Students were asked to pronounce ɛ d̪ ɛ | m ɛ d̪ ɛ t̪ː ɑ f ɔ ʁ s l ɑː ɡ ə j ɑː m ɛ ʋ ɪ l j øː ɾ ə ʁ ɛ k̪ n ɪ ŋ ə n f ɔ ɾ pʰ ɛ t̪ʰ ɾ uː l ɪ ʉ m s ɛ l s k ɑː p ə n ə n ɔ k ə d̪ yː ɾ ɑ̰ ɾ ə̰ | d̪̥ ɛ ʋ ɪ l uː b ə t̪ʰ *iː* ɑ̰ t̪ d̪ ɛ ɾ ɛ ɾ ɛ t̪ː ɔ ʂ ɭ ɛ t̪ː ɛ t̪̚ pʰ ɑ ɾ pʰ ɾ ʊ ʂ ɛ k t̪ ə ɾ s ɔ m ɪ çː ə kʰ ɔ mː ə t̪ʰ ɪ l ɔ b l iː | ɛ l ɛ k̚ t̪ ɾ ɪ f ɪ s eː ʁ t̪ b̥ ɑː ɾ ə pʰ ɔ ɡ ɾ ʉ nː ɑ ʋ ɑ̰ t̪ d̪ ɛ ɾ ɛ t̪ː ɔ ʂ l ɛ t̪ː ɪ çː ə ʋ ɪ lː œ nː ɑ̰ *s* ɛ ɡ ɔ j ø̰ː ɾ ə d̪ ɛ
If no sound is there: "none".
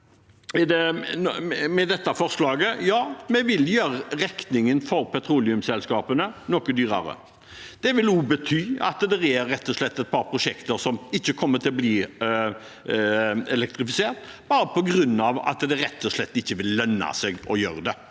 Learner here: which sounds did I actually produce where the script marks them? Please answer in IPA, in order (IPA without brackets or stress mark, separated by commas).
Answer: yː, s